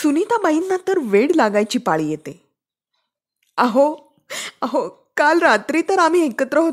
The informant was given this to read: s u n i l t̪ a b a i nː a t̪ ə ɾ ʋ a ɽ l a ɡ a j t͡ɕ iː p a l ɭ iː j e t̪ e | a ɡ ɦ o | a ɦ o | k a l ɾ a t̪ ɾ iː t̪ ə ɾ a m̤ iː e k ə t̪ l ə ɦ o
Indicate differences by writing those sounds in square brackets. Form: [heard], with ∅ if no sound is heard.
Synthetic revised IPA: s u n i [∅] t̪ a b a i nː a t̪ ə ɾ ʋ [e] ɽ l a ɡ a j t͡ɕ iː p a [∅] ɭ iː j e t̪ e | a [∅] ɦ o | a ɦ o | k a l ɾ a t̪ ɾ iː t̪ ə ɾ a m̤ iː e k ə t̪ [ɾ] ə ɦ o